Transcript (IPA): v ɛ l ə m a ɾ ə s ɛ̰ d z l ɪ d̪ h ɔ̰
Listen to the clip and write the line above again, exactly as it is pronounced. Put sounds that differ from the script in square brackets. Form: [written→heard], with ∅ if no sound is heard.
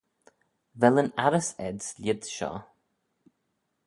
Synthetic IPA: v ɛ l ə [m→n] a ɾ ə s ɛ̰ d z l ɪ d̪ [h→ʃ] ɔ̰